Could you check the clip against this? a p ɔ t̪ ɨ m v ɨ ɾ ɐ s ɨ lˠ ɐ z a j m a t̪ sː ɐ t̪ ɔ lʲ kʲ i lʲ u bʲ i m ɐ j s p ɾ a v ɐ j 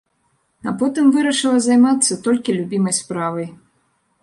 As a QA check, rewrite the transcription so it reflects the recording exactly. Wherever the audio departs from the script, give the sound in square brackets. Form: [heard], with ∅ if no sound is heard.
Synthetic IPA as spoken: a p ɔ t̪ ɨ m v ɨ ɾ ɐ [ʂ] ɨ lˠ ɐ z a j m a t̪ sː ɐ t̪ ɔ lʲ kʲ i lʲ u bʲ i m ɐ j s p ɾ a v ɐ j